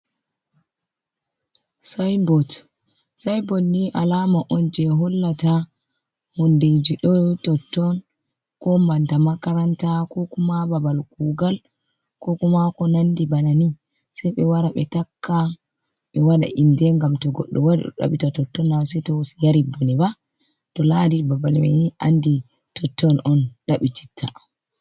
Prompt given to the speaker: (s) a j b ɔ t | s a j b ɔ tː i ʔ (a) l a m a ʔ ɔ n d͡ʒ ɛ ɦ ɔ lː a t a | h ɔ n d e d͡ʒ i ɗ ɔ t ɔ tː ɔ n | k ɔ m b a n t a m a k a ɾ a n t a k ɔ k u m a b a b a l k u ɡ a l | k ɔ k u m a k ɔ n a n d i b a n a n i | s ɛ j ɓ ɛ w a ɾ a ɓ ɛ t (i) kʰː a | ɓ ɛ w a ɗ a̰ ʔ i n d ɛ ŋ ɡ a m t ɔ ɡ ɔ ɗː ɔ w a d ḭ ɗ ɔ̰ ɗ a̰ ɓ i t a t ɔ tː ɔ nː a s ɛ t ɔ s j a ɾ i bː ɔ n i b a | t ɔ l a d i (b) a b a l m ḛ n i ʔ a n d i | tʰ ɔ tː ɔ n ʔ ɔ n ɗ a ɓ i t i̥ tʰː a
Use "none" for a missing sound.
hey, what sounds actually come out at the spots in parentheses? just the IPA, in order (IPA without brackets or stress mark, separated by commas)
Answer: s, a, a, b